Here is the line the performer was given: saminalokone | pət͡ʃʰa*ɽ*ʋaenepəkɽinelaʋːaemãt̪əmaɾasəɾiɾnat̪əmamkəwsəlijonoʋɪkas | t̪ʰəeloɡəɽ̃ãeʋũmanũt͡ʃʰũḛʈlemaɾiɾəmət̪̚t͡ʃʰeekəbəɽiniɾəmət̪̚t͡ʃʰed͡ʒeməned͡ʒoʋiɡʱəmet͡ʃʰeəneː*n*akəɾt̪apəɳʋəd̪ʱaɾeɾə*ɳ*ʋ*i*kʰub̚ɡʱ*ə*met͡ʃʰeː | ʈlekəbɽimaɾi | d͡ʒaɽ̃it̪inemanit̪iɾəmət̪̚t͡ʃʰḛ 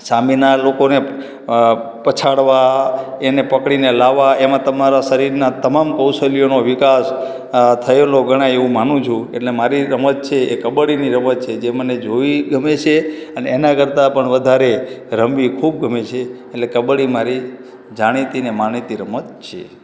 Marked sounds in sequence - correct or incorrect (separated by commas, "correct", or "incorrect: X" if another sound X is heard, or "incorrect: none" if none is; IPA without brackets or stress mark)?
correct, correct, incorrect: m, correct, correct